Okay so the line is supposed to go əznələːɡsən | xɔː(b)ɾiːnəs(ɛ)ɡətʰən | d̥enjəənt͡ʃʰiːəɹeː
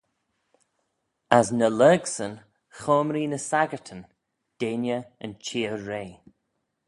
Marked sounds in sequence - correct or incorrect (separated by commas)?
incorrect, incorrect